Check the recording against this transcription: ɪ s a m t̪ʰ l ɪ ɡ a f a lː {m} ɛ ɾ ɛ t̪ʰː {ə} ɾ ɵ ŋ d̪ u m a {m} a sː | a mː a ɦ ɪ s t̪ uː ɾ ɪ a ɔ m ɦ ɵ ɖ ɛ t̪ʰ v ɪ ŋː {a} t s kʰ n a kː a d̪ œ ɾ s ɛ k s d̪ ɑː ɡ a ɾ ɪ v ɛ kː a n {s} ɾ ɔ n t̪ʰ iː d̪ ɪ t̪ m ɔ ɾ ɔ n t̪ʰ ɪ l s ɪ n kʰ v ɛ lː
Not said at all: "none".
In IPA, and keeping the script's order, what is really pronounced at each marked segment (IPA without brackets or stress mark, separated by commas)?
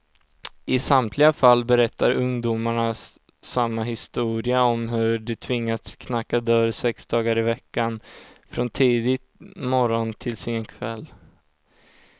b, a, ɳ, a, f